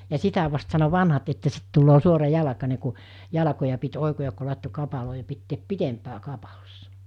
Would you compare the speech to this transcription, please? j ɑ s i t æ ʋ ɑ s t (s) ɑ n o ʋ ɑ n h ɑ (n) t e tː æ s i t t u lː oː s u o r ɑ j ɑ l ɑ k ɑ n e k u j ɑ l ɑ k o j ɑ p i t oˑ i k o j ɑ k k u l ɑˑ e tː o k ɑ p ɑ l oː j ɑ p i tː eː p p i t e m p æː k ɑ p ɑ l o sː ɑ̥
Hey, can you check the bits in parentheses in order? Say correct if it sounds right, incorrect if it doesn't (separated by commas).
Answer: correct, incorrect